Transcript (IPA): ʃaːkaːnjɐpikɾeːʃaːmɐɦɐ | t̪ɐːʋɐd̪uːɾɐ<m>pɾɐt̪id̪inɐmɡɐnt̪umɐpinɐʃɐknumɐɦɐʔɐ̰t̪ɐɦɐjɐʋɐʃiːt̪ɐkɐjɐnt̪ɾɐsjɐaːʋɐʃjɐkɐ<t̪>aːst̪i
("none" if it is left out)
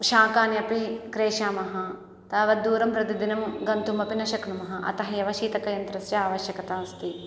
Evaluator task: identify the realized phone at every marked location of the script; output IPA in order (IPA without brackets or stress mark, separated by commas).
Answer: m, t̪